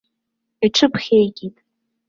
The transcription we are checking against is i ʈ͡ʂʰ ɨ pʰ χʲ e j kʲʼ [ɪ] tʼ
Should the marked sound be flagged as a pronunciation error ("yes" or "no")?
yes